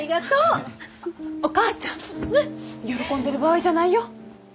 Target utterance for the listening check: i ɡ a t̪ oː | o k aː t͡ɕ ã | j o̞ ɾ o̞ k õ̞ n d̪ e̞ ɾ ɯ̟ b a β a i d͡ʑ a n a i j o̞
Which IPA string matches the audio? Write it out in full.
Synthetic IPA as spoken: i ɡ a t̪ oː | o k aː t͡ɕ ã | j o̞ ɾ o̞ k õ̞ n d̪ e̞ ɾ ɯ̟ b a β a i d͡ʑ a n a i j o̞